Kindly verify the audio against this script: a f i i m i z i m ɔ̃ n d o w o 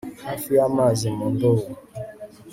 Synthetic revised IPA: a f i a m a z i m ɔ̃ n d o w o